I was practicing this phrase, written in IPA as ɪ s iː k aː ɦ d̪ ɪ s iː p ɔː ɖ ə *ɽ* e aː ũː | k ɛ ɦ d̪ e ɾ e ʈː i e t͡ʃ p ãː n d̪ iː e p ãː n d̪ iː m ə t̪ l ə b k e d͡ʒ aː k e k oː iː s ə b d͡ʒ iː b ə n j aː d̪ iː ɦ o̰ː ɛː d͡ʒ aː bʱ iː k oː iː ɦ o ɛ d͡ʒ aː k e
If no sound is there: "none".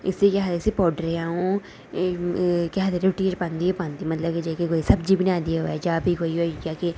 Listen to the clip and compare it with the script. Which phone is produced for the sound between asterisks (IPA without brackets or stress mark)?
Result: ɾ